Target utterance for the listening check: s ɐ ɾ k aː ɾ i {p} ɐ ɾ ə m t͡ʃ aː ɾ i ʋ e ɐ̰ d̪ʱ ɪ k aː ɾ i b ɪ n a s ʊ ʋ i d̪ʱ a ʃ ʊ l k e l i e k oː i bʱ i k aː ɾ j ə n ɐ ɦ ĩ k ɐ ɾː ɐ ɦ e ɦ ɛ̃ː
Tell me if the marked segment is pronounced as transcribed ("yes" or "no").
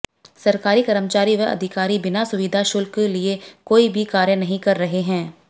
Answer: no